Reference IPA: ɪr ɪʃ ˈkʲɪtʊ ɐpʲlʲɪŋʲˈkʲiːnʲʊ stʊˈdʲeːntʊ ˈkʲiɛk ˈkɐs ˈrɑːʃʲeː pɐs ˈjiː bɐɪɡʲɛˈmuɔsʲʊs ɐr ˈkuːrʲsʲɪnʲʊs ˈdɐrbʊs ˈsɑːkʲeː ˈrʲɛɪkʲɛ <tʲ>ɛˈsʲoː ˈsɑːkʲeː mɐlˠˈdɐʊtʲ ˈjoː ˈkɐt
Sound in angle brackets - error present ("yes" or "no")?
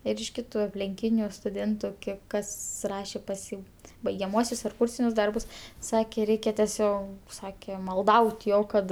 no